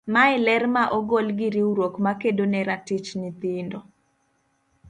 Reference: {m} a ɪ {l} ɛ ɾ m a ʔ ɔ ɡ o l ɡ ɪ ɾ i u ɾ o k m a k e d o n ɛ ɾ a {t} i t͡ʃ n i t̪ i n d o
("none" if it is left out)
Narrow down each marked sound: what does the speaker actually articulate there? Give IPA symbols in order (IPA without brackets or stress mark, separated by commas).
m, l, t